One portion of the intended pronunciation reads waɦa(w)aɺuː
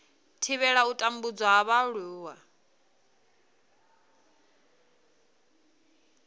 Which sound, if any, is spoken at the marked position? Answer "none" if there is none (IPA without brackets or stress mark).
β